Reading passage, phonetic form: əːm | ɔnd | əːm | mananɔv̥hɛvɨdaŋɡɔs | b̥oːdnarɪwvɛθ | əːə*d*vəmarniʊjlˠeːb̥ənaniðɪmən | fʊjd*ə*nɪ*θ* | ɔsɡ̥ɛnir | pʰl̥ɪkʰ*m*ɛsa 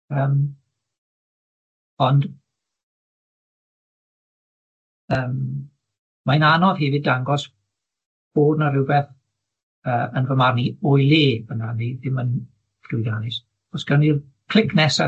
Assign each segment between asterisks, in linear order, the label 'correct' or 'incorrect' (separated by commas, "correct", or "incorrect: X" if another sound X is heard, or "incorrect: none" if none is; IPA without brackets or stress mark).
incorrect: n, incorrect: a, incorrect: s, incorrect: n